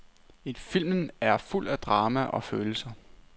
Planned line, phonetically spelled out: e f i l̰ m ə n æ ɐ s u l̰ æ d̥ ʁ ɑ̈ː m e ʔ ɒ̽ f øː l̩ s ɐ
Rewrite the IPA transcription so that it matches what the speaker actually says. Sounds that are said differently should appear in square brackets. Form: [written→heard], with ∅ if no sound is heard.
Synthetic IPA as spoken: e f i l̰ m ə n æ ɐ [s→f] u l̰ æ d̥ ʁ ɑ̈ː m [e→æ] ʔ ɒ̽ f øː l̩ s ɐ